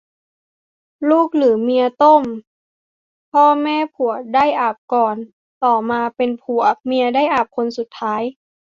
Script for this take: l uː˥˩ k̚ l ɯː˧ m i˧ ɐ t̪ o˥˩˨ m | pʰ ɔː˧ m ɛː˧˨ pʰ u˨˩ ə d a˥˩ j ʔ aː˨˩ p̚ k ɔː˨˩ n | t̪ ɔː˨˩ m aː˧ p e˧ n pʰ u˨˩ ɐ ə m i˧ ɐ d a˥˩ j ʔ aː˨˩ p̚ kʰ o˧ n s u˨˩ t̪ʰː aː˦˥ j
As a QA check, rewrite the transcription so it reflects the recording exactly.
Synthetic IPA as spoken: l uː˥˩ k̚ l ɯː˩˦ m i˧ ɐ t̪ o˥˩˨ m | pʰ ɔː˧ m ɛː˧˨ pʰ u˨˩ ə d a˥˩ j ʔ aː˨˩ p̚ k ɔː˨˩ n | t̪ ɔː˨˩ m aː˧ p e˧ n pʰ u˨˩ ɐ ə m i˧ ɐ d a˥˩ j ʔ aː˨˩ p̚ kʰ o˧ n s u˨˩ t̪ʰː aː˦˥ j